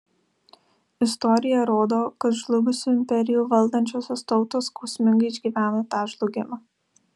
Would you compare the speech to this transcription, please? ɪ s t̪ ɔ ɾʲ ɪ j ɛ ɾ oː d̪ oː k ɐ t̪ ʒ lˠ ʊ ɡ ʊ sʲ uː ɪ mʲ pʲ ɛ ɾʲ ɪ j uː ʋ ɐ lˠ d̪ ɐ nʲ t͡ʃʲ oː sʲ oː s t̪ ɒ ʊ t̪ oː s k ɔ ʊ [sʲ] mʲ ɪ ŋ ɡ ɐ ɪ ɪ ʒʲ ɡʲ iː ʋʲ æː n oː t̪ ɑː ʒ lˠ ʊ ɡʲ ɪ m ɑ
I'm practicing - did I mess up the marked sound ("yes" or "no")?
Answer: no